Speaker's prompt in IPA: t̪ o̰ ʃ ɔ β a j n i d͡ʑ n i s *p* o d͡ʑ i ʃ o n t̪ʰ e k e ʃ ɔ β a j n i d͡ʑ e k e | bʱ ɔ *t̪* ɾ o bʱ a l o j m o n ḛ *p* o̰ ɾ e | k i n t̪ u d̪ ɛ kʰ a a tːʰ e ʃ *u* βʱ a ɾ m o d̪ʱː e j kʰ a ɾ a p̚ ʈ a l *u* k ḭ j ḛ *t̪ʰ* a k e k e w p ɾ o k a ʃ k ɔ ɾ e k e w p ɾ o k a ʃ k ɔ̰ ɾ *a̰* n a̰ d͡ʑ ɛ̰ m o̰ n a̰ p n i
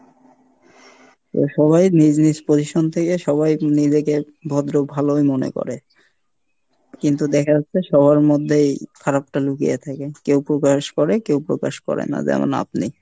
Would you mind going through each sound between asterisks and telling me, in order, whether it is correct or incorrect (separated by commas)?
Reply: correct, incorrect, incorrect, incorrect, correct, correct, incorrect